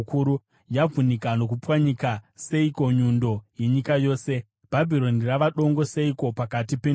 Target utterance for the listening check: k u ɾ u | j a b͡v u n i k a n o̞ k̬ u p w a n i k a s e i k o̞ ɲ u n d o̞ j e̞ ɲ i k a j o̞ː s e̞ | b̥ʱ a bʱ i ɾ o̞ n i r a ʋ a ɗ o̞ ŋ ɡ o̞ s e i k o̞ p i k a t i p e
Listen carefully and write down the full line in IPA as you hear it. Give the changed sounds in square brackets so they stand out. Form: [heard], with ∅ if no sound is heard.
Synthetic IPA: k u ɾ u | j a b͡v u n i k a n o̞ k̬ u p w a [ɲ] i k a s e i k o̞ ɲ u n d o̞ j e̞ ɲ i k a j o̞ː s e̞ | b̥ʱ a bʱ i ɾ o̞ n i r a ʋ a ɗ o̞ ŋ ɡ o̞ s e i k o̞ p [a] k a t i p e